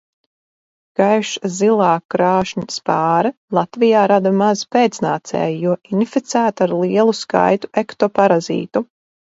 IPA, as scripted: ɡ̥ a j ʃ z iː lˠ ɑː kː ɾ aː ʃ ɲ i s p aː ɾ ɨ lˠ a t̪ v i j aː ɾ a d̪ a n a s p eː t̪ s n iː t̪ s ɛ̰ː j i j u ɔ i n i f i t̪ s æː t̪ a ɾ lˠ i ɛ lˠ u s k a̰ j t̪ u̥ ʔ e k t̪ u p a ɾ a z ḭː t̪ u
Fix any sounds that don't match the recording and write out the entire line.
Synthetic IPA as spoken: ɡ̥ a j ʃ z i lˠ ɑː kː ɾ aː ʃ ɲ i s p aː ɾ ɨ lˠ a t̪ v i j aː ɾ a d̪ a m a z p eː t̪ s n aː t̪ s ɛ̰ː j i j u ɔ i n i f i t̪ s æː t̪ a ɾ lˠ i ɛ lˠ u s k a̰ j t̪ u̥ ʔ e k t̪ ɔ p a ɾ a z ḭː t̪ u